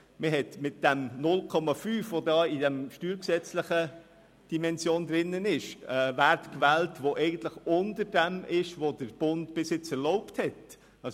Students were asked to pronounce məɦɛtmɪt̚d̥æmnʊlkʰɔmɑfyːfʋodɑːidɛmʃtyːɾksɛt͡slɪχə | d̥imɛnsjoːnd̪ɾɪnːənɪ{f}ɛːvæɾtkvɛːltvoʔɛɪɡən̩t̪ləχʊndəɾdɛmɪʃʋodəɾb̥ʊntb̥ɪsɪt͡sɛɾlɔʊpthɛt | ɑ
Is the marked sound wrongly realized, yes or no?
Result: yes